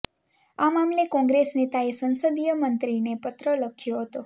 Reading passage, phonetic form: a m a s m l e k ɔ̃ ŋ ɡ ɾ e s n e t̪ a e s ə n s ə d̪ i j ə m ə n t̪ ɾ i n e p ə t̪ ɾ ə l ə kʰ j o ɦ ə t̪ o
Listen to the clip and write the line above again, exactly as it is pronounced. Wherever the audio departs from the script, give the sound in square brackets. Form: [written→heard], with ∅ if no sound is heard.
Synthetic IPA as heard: a m a [s→∅] m l e k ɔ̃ ŋ ɡ ɾ e s n e t̪ a e s ə n s ə d̪ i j ə m ə n t̪ ɾ i n e p ə t̪ ɾ ə l ə kʰ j o ɦ ə t̪ o

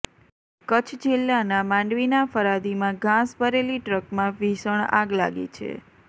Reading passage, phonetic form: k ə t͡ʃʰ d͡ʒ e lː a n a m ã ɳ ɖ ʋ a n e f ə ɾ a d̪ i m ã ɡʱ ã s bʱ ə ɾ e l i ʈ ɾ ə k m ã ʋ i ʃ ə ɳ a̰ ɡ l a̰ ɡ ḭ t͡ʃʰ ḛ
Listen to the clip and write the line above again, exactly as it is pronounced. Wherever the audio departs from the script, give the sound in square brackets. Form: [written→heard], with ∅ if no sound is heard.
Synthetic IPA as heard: k ə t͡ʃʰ d͡ʒ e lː a n a m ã ɳ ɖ ʋ [a→i] n [e→a] f ə ɾ a d̪ i m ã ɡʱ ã s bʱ ə ɾ e l i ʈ ɾ ə k m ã ʋ i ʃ ə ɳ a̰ ɡ l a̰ ɡ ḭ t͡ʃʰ ḛ

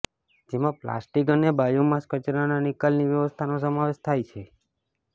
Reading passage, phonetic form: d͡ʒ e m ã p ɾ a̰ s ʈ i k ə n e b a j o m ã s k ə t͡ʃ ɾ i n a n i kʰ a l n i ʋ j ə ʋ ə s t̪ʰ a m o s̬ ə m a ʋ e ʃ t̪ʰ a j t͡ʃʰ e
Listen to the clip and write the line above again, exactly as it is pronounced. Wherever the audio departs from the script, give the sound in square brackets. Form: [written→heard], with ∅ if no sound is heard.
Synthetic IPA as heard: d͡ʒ e m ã p [ɾ→l] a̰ s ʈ i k ə n e b a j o m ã s k ə t͡ʃ ɾ [i→a] n a n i [kʰ→k] a l n i ʋ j ə ʋ ə s t̪ʰ a [m→n] o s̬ ə m a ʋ e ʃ t̪ʰ a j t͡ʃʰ e

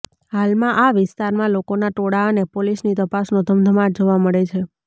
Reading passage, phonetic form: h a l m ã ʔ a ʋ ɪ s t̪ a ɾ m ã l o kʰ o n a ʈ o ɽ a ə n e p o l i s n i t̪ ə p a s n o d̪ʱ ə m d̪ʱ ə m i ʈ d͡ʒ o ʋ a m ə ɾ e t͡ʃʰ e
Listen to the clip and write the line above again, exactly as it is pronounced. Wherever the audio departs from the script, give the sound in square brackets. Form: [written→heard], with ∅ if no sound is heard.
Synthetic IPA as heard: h a l m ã ʔ a ʋ ɪ s t̪ a ɾ m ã l o [kʰ→k] o n a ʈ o ɽ a ə n e p o l i s n i t̪ ə p a s n o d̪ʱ ə m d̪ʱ ə m [i→a] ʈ d͡ʒ o ʋ a m ə [ɾ→ɭ] e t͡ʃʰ e

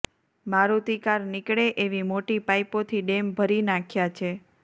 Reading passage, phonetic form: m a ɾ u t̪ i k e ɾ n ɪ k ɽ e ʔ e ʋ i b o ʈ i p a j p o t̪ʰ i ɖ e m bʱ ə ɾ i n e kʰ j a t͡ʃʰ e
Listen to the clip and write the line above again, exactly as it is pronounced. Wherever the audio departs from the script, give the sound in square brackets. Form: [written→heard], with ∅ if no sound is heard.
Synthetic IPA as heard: m a ɾ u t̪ i k [e→a] ɾ n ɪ k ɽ e ʔ e ʋ i [b→m] o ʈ i p a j p o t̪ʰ i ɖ e m bʱ ə ɾ i n [e→a] kʰ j a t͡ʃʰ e

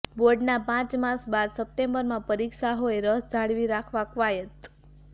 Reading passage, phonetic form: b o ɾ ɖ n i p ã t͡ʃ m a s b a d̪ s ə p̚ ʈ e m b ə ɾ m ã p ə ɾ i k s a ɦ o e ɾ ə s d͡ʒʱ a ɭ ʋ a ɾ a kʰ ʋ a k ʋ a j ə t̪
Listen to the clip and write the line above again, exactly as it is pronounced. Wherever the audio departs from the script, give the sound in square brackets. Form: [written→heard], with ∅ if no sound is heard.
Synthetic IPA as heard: b o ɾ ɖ n [i→a] p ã t͡ʃ m a s b a d̪ s ə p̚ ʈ e m b ə ɾ m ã p ə ɾ i k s a ɦ o e ɾ ə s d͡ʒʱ a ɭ ʋ [a→i] ɾ a kʰ ʋ a k ʋ a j ə t̪

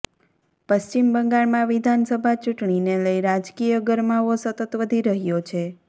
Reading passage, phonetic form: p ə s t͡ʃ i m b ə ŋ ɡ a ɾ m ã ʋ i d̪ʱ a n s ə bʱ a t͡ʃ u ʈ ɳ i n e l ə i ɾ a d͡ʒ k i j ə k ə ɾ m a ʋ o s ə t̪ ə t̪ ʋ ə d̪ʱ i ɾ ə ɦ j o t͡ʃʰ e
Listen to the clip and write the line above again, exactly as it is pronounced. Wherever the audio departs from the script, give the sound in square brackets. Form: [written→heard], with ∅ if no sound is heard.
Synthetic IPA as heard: p ə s t͡ʃ i m b ə ŋ ɡ a [ɾ→ɭ] m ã ʋ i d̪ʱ a n s ə bʱ a t͡ʃ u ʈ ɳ i n e l ə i ɾ a d͡ʒ k i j ə [k→ɡ] ə ɾ m a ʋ o s ə t̪ ə t̪ ʋ ə d̪ʱ i ɾ ə ɦ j o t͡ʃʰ e

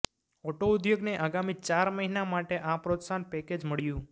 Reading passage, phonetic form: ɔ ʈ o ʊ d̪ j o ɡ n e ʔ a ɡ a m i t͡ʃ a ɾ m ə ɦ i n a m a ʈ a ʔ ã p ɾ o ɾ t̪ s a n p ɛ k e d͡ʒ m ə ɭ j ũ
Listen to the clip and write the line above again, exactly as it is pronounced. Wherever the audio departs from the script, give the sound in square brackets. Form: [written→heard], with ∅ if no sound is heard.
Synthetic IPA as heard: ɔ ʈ o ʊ d̪ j o ɡ n e ʔ a ɡ a m i t͡ʃ a ɾ m ə ɦ i n a m a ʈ [a→e] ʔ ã p ɾ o [ɾ→∅] t̪ s a n p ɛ k e d͡ʒ m ə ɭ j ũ

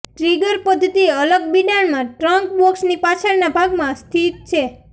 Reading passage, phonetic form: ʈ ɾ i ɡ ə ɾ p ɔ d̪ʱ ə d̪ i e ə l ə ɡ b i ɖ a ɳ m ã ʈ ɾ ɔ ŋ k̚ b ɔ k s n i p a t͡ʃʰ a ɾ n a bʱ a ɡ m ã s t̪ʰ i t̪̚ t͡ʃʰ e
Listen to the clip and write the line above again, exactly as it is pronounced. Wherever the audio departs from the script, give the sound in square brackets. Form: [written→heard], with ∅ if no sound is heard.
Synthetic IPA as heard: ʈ ɾ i ɡ ə ɾ p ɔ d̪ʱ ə [d̪→t̪] i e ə l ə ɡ b i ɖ a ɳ m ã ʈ ɾ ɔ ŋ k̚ b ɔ k s n i p a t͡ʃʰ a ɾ n a bʱ a ɡ m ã s t̪ʰ i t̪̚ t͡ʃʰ e

